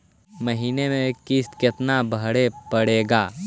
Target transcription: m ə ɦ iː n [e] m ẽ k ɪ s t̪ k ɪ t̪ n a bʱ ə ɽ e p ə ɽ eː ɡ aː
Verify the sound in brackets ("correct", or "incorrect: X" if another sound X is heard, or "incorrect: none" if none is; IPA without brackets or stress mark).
correct